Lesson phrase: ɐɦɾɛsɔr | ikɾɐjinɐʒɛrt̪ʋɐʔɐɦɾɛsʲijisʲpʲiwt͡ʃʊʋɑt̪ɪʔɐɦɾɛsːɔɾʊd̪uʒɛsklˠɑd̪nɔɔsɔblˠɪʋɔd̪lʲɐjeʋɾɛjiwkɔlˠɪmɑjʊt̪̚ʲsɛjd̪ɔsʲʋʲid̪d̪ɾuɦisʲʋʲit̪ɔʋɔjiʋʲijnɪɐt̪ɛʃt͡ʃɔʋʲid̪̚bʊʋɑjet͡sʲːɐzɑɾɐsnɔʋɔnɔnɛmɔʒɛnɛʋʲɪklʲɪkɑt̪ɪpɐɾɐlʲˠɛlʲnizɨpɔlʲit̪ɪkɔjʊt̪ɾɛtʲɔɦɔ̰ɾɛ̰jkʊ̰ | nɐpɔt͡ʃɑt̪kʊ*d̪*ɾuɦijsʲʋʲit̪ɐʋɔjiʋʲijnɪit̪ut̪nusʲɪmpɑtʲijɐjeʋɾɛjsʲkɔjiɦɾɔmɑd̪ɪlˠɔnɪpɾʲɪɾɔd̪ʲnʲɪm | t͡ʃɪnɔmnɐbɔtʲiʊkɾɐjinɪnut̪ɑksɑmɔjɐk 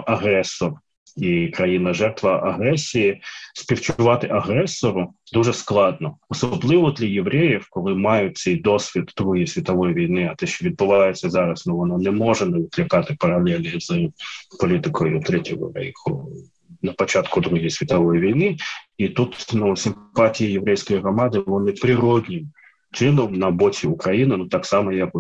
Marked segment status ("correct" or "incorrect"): correct